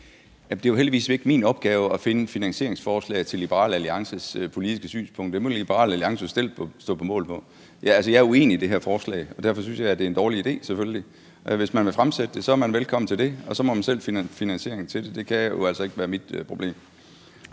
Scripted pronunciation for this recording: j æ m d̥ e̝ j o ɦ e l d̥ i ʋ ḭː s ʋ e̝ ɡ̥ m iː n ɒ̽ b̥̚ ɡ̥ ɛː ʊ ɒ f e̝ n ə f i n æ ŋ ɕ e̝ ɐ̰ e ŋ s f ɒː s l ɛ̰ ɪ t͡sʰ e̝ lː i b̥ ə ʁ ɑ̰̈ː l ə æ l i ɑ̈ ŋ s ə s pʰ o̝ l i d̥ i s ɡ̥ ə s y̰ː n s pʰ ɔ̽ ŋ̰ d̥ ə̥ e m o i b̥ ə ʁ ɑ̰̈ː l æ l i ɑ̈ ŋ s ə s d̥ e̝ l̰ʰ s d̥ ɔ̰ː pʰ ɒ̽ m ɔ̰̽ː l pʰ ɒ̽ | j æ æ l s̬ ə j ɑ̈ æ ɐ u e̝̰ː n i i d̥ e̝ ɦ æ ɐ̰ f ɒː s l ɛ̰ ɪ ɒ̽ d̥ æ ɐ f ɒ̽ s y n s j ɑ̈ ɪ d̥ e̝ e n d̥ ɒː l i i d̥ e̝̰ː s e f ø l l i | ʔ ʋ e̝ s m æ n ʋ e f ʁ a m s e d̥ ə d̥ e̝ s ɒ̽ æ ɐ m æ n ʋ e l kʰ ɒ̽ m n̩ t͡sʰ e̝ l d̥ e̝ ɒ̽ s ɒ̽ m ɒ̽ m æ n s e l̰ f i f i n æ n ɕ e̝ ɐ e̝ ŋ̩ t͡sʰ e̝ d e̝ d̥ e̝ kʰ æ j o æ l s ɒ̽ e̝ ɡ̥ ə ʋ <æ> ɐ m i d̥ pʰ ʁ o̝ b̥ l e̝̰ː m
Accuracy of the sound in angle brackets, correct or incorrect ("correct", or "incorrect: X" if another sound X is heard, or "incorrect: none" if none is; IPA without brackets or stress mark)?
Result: incorrect: æː